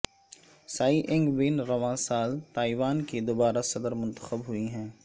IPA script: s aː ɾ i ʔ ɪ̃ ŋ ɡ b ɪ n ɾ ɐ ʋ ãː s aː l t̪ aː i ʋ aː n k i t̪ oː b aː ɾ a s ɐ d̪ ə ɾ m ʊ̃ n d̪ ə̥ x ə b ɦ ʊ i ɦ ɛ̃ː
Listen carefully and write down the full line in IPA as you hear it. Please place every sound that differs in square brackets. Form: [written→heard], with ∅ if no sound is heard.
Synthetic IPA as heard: s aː [ɾ→∅] i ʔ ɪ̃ ŋ ɡ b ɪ n ɾ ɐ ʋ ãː s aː l t̪ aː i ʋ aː n k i [t̪→d̪] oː b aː ɾ a s ɐ d̪ ə ɾ m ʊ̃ n [d̪→t̪] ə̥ x ə b ɦ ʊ i ɦ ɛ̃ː